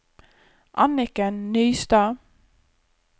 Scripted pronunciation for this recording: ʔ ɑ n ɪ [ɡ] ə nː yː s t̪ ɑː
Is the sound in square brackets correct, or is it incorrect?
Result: incorrect